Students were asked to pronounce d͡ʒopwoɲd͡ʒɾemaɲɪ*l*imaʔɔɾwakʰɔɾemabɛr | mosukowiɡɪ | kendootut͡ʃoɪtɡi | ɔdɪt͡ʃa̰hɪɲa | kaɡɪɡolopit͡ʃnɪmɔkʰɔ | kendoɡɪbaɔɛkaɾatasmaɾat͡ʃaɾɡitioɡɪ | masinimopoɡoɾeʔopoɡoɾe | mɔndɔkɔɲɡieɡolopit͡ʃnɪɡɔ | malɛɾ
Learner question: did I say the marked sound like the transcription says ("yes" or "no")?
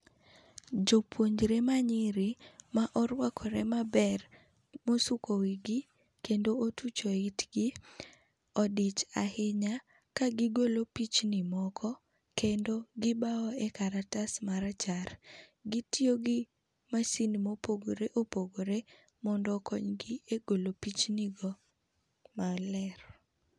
no